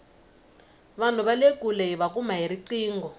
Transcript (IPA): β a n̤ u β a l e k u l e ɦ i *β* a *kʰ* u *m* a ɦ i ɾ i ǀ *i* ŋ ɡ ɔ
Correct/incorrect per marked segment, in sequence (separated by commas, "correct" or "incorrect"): correct, incorrect, correct, incorrect